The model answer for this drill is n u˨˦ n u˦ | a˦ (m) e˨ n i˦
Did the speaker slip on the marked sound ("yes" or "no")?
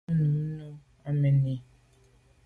no